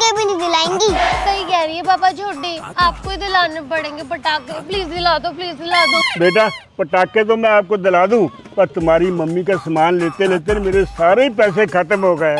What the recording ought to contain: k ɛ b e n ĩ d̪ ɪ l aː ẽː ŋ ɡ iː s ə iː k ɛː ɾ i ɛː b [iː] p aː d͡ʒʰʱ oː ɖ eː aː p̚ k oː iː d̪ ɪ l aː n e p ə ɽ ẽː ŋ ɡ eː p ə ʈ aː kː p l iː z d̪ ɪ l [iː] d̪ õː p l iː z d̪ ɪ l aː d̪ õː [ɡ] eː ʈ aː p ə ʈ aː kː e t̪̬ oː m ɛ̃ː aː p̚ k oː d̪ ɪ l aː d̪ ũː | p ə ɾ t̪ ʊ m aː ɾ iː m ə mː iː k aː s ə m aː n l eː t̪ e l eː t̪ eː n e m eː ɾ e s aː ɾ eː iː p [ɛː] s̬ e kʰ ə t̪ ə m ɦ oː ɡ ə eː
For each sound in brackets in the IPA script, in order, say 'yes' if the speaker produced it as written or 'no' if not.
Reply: no, no, no, yes

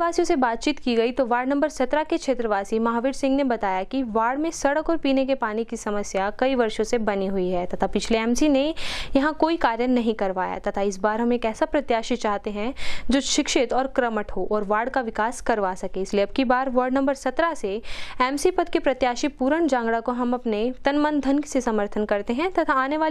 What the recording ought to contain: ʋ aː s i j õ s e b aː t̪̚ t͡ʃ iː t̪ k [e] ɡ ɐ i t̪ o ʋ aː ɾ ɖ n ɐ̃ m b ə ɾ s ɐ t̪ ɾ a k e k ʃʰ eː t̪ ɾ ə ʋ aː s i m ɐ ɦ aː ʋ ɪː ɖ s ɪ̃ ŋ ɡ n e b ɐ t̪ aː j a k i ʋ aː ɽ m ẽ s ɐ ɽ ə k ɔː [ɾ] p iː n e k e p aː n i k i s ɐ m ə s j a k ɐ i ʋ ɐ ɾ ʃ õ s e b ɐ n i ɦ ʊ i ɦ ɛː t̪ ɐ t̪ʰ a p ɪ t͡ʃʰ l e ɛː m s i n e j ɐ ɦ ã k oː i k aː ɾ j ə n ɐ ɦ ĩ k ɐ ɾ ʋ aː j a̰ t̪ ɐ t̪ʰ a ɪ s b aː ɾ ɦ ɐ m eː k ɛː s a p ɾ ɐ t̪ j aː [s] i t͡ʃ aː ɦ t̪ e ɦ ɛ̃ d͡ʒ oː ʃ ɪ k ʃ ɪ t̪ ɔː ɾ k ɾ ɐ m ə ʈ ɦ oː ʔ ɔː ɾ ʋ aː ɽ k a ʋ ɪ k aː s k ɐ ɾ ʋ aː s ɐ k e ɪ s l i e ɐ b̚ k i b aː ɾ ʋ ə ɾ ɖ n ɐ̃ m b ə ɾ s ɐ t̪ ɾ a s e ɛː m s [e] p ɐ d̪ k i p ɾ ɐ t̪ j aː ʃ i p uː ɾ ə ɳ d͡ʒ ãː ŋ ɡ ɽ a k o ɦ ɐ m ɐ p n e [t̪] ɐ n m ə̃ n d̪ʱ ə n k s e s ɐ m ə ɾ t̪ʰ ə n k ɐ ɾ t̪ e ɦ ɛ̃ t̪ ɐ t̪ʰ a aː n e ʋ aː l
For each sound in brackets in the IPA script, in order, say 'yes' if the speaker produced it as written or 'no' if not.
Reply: no, yes, no, no, yes

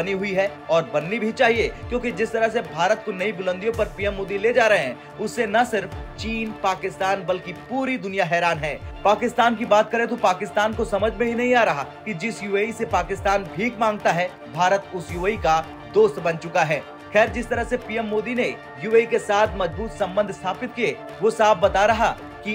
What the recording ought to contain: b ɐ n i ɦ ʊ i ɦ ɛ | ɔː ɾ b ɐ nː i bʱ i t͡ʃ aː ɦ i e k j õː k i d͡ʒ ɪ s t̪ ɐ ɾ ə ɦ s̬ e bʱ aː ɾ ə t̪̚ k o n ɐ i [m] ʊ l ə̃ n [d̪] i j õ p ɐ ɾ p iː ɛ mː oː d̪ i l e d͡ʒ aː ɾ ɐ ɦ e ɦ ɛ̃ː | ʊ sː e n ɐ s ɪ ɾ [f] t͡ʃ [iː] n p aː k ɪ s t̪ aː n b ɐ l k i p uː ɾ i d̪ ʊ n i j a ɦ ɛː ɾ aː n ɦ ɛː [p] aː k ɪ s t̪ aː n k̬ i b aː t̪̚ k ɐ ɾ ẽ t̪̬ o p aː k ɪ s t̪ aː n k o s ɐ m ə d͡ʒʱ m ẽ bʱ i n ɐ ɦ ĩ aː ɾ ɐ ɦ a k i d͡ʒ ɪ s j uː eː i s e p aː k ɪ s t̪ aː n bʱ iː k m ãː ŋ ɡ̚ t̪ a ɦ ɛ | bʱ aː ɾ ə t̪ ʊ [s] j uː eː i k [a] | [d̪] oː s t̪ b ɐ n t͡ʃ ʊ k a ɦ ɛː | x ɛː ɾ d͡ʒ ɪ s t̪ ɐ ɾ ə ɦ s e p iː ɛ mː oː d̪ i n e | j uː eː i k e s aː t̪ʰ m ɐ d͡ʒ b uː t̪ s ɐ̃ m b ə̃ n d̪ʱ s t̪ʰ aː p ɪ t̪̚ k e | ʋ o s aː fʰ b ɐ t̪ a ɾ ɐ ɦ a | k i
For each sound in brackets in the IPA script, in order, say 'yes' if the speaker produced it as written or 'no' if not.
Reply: no, yes, yes, yes, yes, yes, yes, yes

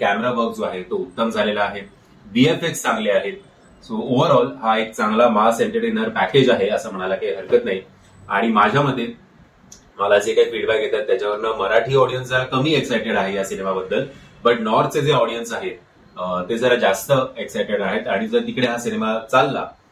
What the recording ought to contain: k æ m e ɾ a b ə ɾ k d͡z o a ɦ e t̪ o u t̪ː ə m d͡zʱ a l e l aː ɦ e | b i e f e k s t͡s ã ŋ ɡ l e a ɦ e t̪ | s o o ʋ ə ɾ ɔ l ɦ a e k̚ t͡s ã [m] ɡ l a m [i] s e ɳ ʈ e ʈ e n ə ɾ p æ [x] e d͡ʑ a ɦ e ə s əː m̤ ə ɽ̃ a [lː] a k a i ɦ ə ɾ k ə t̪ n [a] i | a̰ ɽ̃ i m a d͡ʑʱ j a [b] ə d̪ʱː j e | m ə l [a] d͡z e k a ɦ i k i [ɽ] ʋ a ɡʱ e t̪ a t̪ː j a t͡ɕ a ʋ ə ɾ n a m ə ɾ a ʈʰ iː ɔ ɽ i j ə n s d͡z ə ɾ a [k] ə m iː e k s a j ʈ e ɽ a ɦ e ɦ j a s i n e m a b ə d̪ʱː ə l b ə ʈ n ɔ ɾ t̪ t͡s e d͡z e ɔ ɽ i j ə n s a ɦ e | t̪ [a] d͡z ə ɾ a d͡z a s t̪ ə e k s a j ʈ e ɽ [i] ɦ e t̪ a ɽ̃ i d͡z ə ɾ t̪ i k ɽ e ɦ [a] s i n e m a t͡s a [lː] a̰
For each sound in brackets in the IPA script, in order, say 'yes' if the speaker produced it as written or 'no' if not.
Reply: no, no, no, no, yes, no, yes, yes, yes, no, no, yes, yes

